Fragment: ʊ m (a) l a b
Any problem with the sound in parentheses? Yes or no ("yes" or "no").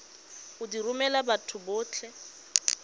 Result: yes